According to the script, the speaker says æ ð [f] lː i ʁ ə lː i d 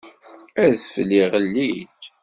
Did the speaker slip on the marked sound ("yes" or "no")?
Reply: no